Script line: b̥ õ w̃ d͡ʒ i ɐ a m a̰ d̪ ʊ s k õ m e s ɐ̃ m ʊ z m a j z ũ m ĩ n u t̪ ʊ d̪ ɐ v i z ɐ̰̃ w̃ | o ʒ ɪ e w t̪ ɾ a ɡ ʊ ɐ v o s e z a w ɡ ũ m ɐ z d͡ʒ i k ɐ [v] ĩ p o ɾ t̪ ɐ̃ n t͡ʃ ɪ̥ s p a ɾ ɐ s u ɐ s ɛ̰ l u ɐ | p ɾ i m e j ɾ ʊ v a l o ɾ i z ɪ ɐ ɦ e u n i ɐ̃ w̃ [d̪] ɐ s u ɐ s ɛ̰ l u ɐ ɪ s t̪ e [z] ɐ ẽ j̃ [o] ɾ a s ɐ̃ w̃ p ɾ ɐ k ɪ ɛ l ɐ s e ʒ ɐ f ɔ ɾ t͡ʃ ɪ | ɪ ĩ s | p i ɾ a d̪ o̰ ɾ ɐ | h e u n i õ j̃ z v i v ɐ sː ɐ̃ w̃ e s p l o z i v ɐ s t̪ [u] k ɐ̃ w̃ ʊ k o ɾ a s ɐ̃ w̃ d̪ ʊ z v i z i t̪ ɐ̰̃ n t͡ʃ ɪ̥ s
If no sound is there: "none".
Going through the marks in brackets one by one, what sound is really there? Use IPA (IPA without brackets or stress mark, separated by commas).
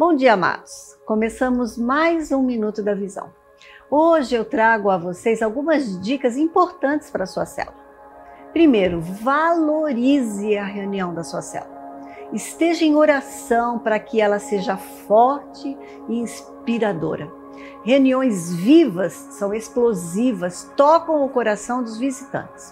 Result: z, d̪, ʒ, o, ɔ